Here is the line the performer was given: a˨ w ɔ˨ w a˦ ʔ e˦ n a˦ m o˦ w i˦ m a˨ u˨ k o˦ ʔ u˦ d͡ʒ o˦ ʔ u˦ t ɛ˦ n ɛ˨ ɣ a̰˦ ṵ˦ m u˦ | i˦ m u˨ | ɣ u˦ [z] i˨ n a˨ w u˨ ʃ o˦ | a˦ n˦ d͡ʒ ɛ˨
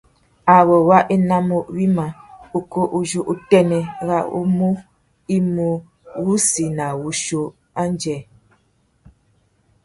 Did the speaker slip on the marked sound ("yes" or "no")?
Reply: yes